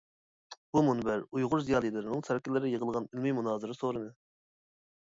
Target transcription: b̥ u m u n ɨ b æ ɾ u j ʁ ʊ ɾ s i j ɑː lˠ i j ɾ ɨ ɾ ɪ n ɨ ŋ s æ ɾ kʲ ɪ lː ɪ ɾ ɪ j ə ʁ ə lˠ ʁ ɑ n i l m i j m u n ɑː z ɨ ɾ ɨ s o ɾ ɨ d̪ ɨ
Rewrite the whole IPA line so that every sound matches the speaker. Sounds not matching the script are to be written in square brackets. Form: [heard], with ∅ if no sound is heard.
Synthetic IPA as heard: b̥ u m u n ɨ b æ ɾ u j ʁ ʊ ɾ [z] i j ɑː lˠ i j [l] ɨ ɾ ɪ n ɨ ŋ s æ ɾ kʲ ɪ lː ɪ ɾ ɪ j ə ʁ ə lˠ ʁ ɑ n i l m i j m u n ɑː z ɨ ɾ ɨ s o ɾ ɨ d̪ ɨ